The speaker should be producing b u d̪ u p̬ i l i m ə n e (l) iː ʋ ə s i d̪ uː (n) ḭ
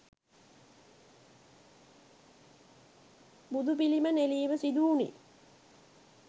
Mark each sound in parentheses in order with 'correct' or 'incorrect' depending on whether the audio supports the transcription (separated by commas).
correct, correct